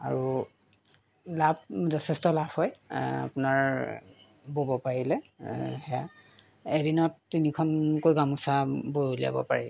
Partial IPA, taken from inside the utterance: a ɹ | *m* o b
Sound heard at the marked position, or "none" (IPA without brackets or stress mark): b